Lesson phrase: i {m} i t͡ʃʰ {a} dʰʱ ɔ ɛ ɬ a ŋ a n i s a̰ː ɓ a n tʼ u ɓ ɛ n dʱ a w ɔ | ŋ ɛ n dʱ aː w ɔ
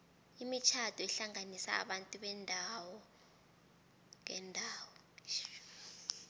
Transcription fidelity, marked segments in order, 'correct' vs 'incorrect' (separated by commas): correct, correct